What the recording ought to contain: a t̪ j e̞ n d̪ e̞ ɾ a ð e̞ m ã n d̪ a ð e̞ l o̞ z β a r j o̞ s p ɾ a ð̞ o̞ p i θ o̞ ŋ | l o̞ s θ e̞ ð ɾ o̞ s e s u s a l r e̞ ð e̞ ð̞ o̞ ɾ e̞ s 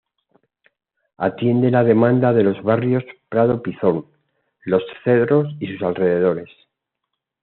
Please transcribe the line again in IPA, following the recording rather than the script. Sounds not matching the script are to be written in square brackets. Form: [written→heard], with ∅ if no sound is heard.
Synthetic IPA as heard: a t̪ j e̞ n d̪ e̞ [ɾ→l] a ð e̞ m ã n d̪ a ð e̞ l o̞ z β a r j o̞ s p ɾ a ð̞ o̞ p i θ o̞ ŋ | l o̞ s θ e̞ ð ɾ o̞ s [e→i] s u s a l r e̞ ð e̞ ð̞ o̞ ɾ e̞ s

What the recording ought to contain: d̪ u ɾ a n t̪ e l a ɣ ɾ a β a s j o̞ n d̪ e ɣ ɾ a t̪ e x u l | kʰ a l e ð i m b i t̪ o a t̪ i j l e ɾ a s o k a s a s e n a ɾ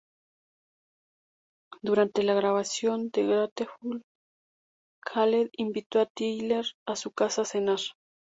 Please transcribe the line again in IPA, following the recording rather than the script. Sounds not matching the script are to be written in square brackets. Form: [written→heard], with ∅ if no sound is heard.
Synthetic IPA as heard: d̪ u ɾ a n t̪ e l a ɣ ɾ a β a s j o̞ n d̪ e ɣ ɾ a t̪ e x u l | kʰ a l e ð i m b i t̪ o a t̪ i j l e ɾ a s [o→u] k a s a s e n a ɾ

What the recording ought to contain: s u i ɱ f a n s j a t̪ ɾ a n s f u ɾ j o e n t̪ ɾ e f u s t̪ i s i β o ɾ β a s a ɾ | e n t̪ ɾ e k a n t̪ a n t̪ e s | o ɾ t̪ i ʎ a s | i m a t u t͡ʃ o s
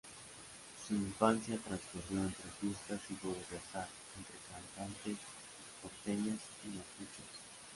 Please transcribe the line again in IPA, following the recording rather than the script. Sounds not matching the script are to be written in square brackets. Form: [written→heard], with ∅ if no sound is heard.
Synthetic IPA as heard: s u i ɱ f a n s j a t̪ ɾ a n s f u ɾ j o e n t̪ ɾ e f u s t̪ [i→a] s i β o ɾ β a s a ɾ | e n t̪ ɾ e k a n t̪ a n t̪ e s | o ɾ t̪ [i→e] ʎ a s | i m a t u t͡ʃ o s

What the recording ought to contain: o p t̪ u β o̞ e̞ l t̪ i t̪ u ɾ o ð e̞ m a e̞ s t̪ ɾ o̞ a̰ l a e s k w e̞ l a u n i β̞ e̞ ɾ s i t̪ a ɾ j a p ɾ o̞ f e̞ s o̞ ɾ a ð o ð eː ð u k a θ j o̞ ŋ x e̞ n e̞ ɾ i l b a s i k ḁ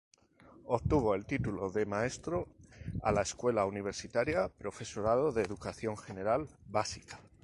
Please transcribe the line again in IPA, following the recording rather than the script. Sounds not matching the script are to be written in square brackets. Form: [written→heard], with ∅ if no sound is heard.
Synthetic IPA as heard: o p t̪ u β o̞ e̞ l t̪ i t̪ u [ɾ→l] o ð e̞ m a e̞ s t̪ ɾ o̞ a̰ l a e s k w e̞ l a u n i β̞ e̞ ɾ s i t̪ a ɾ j a p ɾ o̞ f e̞ s o̞ ɾ a ð o ð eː ð u k a θ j o̞ ŋ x e̞ n e̞ ɾ [i→a] l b a s i k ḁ

